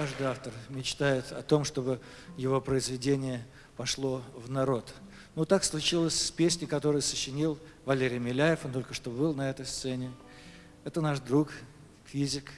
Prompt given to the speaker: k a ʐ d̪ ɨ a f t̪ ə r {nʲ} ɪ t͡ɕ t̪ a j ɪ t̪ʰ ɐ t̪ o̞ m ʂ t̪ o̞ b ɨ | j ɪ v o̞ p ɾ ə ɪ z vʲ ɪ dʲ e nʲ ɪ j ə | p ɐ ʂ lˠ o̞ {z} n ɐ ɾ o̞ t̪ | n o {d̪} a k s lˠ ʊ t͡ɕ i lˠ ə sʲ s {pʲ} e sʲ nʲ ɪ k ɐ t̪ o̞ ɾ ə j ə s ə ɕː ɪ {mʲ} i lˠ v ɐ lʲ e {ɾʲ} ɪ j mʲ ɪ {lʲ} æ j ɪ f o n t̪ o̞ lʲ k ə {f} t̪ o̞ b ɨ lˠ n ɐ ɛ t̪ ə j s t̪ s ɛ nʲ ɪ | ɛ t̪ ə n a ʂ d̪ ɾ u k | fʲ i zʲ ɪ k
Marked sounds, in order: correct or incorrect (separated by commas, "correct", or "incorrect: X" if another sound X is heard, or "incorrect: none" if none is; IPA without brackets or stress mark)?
incorrect: mʲ, incorrect: v, incorrect: t̪, correct, incorrect: nʲ, correct, correct, incorrect: ʂ